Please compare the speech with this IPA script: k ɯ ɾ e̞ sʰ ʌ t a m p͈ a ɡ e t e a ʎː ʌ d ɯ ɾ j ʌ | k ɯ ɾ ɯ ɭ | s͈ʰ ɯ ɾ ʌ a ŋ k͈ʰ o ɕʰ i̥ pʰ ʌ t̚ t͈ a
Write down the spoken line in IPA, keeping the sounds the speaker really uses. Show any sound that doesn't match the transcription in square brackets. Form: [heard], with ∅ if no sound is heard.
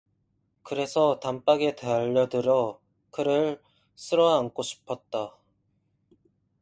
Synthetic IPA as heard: k ɯ ɾ e̞ sʰ ʌ t a m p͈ a ɡ e t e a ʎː ʌ d ɯ ɾ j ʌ | k ɯ ɾ ɯ ɭ | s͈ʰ ɯ ɾ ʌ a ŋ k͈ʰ o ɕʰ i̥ pʰ ʌ t̚ t͈ a